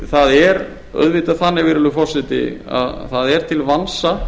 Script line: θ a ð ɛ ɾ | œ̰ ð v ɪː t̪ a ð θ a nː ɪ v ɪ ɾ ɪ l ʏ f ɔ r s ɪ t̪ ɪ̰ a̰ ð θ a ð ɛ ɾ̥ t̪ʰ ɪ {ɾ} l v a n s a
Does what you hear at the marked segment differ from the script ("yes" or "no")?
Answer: yes